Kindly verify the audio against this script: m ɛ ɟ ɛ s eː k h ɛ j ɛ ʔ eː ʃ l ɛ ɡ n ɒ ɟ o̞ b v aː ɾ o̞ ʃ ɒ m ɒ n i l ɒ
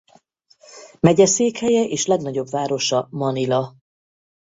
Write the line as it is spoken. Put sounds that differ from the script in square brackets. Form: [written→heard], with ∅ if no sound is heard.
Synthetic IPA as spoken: m ɛ ɟ ɛ s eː k h ɛ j ɛ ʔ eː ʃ l ɛ ɡ n ɒ ɟ o̞ b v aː ɾ o̞ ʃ ɒ m ɒ n i l ɒ